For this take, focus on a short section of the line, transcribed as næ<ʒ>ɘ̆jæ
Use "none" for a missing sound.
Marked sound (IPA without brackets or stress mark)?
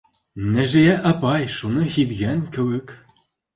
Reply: ʒ